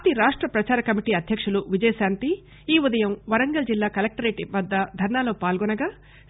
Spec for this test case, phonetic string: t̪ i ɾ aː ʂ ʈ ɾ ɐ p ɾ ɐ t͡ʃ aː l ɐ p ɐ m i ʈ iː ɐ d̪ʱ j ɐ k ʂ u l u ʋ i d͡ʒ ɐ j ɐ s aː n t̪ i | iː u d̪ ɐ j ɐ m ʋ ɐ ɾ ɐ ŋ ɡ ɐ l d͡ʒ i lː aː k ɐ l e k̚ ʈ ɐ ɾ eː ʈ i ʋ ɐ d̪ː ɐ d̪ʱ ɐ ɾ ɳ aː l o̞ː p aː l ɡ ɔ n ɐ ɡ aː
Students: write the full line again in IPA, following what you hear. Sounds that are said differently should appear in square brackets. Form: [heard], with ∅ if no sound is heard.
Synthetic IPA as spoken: t̪ i ɾ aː ʂ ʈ ɾ ɐ p ɾ ɐ t͡ʃ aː [ɾ] ɐ [k] ɐ m i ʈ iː ɐ d̪ʱ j ɐ k ʂ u l u ʋ i d͡ʒ ɐ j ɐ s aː n t̪ i | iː u d̪ ɐ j ɐ m ʋ ɐ ɾ ɐ ŋ ɡ ɐ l d͡ʒ i lː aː k ɐ l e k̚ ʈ ɐ ɾ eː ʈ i ʋ ɐ d̪ː ɐ d̪ʱ ɐ ɾ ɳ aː l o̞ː p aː l ɡ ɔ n ɐ ɡ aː